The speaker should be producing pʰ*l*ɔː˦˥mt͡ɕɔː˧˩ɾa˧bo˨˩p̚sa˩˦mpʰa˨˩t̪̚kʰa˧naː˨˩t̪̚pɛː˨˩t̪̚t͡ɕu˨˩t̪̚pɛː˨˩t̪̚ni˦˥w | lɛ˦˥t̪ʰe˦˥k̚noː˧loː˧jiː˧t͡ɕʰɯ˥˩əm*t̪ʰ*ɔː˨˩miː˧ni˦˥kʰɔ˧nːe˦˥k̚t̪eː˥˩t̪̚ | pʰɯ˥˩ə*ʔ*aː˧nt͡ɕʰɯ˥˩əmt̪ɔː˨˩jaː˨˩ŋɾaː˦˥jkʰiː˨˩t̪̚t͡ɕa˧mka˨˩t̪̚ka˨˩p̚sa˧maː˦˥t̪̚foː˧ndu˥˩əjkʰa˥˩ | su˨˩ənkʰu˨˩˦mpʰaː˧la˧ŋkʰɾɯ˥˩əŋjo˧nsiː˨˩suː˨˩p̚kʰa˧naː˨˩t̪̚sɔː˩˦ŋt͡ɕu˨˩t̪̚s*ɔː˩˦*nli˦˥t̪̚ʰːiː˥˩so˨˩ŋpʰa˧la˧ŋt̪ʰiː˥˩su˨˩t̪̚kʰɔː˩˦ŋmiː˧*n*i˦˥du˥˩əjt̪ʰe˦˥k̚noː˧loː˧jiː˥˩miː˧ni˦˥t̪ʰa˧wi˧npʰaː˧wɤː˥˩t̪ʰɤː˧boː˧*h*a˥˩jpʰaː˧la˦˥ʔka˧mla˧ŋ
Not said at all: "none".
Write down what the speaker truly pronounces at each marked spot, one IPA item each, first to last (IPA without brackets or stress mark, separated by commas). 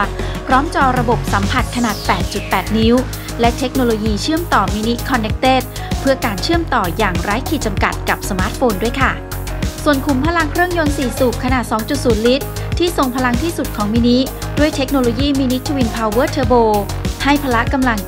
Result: ɾ, t̪, k, uː˩˦, n, h